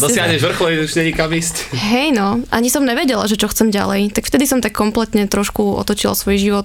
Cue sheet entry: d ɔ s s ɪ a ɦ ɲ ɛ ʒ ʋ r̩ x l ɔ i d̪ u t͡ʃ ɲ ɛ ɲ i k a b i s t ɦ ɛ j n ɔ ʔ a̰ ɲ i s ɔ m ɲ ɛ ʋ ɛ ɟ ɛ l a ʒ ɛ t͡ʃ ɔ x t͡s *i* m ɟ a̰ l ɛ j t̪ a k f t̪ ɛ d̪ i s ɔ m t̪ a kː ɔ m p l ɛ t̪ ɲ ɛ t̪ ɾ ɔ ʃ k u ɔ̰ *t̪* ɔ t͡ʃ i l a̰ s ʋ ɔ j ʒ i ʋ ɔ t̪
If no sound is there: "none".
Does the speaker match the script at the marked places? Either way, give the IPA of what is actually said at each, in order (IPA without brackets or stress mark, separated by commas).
ɛ, t̪